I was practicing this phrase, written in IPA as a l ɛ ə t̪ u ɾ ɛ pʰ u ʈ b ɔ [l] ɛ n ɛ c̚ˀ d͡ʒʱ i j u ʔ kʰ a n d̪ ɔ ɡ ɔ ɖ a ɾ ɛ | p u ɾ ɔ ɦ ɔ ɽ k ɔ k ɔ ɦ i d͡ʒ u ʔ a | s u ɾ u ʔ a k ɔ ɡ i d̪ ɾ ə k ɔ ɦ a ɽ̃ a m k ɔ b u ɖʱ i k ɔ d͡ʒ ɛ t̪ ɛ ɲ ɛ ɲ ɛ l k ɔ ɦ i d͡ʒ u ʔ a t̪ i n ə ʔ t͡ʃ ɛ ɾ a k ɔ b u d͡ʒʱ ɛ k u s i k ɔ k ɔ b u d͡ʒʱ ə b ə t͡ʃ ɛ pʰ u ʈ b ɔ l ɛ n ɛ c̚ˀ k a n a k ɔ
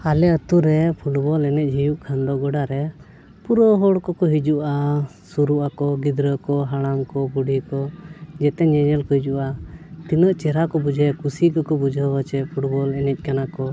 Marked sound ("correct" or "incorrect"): correct